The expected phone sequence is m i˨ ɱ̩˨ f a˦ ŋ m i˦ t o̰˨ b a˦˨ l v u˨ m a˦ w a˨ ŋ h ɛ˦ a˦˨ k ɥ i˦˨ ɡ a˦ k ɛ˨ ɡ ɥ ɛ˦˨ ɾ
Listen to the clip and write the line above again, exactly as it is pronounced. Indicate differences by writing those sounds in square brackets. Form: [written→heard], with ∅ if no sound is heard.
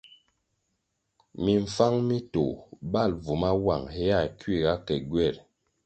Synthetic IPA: m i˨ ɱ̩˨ f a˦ ŋ m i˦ t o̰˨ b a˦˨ l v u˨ m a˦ w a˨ ŋ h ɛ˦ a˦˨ k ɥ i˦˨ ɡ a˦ k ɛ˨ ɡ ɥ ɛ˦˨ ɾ